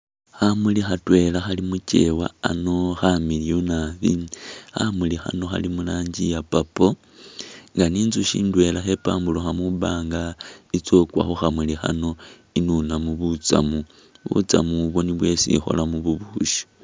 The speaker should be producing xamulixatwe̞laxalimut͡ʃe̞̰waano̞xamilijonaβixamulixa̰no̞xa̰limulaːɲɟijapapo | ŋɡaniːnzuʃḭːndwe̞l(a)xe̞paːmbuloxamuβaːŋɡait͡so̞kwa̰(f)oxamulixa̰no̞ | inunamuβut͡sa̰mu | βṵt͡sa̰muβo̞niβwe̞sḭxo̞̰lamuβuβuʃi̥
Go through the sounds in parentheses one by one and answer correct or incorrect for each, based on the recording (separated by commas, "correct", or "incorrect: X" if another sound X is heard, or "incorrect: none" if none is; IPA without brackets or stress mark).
correct, incorrect: x